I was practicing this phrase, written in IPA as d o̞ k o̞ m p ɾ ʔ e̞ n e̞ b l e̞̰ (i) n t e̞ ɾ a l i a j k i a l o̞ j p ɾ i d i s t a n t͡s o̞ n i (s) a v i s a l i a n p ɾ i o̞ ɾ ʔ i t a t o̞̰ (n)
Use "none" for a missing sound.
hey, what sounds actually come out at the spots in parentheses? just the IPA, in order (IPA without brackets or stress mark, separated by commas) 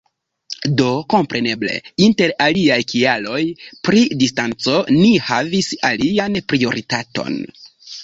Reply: i, h, n